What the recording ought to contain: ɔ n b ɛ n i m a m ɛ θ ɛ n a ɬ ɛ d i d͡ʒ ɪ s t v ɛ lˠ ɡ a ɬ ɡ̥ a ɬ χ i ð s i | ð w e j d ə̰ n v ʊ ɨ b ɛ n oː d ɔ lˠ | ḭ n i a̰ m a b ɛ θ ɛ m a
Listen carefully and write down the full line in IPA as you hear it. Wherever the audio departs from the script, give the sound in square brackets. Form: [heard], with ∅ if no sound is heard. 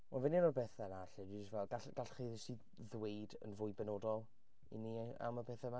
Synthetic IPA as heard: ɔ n [v] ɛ n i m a [b] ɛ θ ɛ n a ɬ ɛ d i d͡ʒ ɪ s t v ɛ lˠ ɡ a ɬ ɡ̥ a ɬ χ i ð s i | ð w e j d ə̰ n v ʊ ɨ b ɛ n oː d ɔ lˠ | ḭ n i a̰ m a b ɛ θ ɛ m a